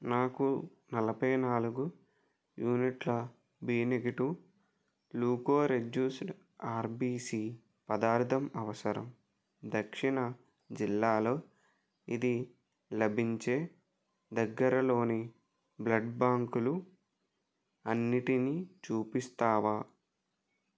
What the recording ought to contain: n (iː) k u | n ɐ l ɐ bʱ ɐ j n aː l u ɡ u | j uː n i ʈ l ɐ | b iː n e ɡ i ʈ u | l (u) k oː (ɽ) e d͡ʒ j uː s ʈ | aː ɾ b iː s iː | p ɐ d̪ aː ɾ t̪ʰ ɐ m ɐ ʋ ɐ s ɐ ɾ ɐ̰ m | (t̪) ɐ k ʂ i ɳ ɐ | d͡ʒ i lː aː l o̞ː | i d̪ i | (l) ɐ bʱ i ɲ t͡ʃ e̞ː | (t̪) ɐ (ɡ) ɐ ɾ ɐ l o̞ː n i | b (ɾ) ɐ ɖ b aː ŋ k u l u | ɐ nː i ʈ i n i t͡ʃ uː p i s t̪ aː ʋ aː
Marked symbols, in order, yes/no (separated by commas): no, no, no, no, yes, no, no, no